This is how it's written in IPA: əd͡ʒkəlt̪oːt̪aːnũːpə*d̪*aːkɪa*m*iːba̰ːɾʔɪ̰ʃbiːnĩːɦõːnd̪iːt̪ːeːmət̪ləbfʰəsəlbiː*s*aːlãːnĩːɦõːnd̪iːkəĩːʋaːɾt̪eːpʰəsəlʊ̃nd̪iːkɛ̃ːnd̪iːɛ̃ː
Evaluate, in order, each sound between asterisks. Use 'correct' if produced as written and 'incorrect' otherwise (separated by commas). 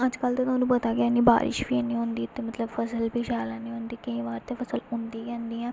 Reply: incorrect, incorrect, incorrect